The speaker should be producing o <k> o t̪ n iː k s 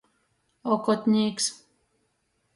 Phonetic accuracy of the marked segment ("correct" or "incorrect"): correct